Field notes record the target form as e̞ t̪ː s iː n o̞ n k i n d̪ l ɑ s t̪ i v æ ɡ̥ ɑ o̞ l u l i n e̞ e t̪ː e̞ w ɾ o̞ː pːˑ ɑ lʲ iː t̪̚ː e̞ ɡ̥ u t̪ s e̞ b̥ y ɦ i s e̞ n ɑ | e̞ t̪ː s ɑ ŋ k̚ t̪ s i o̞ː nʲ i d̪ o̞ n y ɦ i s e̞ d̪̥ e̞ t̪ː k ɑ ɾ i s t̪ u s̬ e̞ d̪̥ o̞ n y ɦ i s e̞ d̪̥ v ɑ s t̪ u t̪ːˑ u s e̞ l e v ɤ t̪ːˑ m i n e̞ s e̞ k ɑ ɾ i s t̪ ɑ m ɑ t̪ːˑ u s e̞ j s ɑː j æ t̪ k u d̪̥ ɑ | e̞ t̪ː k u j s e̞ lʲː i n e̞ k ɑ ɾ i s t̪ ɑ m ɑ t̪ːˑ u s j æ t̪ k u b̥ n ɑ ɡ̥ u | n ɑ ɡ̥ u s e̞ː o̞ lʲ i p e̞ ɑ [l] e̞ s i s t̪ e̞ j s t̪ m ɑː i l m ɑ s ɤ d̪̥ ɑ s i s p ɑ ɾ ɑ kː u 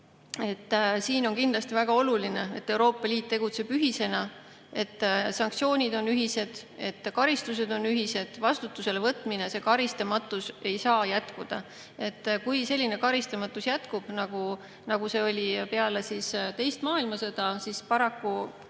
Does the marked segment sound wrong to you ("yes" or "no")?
no